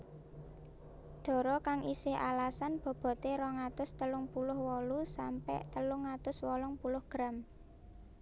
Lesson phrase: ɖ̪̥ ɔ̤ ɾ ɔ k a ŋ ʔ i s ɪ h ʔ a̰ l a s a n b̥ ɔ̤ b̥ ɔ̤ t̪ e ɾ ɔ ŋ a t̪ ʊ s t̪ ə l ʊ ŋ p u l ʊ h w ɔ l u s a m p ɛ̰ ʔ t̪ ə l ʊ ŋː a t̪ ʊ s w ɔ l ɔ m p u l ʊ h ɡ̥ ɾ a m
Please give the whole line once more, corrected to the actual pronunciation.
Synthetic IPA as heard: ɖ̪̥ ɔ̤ ɾ ɔ k a ŋ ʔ i s ɪ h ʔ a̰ l a s a n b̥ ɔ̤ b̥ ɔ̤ t̪ e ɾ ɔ ŋ a t̪ ʊ s t̪ ə l ʊ ŋ p u l ʊ h w ɔ l u s a m p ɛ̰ ʔ t̪ ə l ʊ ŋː a t̪ ʊ s w ɔ l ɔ ŋ p u l ʊ h ɡ̥ ɾ a m